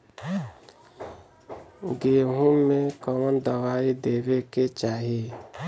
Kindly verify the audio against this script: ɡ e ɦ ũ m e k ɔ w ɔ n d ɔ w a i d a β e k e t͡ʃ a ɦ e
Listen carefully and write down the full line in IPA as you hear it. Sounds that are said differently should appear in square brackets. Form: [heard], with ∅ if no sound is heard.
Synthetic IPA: ɡ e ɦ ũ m e k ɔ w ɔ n d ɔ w a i d [e] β e k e t͡ʃ a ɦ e

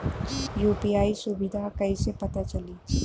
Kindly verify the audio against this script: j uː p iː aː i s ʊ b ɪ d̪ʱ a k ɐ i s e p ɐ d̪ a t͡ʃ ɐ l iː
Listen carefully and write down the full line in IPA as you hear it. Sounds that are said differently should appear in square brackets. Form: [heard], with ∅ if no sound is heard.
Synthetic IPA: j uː p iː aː i s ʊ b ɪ d̪ʱ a k ɐ i s e p ɐ [t̪] a t͡ʃ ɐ l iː

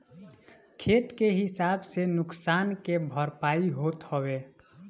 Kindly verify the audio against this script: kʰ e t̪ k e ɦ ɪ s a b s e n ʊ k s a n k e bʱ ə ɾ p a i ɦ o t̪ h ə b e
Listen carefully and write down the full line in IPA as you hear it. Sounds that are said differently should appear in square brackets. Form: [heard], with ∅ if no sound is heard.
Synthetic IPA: kʰ e t̪ k e ɦ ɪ s a b s e n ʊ k s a n k e bʱ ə ɾ p a i ɦ o t̪ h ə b e

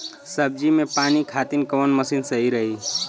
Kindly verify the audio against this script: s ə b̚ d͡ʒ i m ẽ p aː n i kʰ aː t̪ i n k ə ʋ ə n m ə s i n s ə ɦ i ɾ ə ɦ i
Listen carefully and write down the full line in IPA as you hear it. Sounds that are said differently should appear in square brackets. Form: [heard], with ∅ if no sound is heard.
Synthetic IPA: s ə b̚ d͡ʒ i m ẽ p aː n i kʰ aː t̪ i n k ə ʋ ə n m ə s i n s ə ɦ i ɾ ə ɦ i

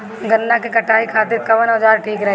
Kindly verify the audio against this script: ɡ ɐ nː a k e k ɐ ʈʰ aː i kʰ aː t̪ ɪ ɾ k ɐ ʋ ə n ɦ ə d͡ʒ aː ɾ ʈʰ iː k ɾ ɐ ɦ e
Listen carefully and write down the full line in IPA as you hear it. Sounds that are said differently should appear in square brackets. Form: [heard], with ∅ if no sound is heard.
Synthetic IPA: ɡ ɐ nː a k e k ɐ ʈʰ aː i kʰ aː t̪ ɪ ɾ k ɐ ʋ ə n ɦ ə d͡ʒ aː ɾ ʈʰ iː k ɾ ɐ ɦ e

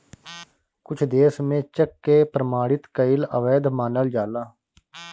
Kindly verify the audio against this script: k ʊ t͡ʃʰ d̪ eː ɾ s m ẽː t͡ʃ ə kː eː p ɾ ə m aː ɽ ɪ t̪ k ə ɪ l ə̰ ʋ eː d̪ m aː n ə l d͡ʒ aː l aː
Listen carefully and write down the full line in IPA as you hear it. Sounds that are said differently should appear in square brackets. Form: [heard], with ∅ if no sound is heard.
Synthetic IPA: k ʊ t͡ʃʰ d̪ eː [∅] s m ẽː t͡ʃ ə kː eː p ɾ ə m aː ɽ ɪ t̪ k ə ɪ l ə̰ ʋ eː d̪ m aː n ə l d͡ʒ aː l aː

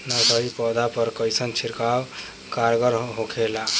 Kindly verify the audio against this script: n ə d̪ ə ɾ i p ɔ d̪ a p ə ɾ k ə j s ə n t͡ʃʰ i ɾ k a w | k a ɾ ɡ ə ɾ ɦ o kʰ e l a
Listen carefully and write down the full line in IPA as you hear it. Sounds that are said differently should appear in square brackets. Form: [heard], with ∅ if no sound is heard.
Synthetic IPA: n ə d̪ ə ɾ i p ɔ d̪ a p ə ɾ k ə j s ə n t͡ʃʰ i ɾ k a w | k a ɾ ɡ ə ɾ ɦ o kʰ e l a

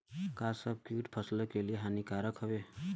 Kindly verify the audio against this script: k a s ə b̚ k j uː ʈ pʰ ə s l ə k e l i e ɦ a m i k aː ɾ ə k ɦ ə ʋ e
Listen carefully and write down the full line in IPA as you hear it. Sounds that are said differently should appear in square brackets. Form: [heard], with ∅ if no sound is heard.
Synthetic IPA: k a s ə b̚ k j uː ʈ pʰ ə s l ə k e l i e ɦ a [n] i k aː ɾ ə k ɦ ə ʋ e

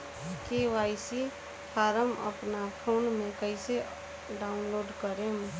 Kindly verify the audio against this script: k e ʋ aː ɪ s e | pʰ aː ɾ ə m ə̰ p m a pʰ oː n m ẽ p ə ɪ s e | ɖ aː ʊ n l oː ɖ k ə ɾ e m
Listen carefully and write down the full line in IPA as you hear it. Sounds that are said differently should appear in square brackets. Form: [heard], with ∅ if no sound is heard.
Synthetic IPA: k e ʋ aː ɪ s [i] | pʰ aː ɾ ə m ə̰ p [n] a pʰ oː n m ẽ [k] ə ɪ s e | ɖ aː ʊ n l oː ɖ k ə ɾ e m

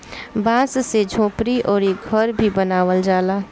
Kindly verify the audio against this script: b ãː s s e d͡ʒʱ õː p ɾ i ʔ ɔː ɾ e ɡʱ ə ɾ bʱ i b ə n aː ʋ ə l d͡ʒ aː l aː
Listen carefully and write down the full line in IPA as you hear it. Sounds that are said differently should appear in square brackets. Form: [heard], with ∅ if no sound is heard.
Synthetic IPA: b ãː s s e d͡ʒʱ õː p ɾ i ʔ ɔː ɾ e ɡʱ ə ɾ bʱ i b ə n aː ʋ ə l d͡ʒ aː l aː

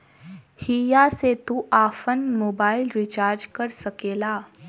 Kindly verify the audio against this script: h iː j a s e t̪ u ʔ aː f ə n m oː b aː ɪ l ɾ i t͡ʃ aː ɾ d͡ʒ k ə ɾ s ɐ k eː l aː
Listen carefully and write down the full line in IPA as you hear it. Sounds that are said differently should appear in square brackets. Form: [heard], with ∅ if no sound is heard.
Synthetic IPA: h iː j a s e t̪ u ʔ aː f ə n m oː b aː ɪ l ɾ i t͡ʃ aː ɾ d͡ʒ k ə ɾ s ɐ k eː l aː

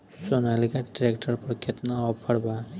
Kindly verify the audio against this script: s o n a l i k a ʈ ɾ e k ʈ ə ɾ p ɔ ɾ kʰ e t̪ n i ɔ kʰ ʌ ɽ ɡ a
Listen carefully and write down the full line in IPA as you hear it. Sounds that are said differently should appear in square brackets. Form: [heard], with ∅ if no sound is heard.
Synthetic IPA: s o n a l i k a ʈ ɾ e k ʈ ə ɾ p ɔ ɾ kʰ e t̪ n [a] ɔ [pʰ] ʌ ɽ [b] a

